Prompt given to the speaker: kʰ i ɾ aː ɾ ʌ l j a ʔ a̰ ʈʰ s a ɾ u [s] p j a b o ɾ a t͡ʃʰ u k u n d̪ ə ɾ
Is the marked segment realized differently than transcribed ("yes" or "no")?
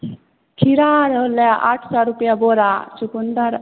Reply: yes